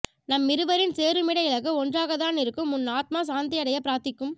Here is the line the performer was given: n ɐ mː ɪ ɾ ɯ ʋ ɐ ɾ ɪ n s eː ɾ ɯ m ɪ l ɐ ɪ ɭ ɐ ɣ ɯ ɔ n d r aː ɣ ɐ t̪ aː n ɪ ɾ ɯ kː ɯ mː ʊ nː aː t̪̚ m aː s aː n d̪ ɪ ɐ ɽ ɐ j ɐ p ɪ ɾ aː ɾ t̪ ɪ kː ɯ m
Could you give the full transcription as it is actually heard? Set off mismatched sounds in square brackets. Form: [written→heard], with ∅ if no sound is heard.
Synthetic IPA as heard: n ɐ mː ɪ ɾ ɯ ʋ ɐ ɾ ɪ n s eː ɾ ɯ m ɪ [l→ɽ] ɐ ɪ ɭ ɐ ɣ ɯ ɔ n d r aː ɣ ɐ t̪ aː n ɪ ɾ ɯ kː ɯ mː ʊ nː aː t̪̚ m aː s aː n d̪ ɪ ɐ ɽ ɐ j ɐ p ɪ ɾ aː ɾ t̪ ɪ kː ɯ m